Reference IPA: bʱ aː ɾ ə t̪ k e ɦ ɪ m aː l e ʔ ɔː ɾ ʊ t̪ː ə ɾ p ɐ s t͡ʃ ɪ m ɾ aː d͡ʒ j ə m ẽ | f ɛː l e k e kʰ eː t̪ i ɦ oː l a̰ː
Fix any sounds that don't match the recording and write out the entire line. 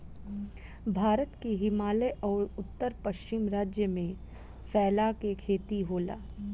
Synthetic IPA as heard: bʱ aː ɾ ə t̪ k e ɦ ɪ m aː l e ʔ ɔː ɾ ʊ t̪ː ə ɾ p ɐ ʃ t͡ʃ ɪ m ɾ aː d͡ʒ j ə m ẽ | f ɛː l a k e kʰ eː t̪ i ɦ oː l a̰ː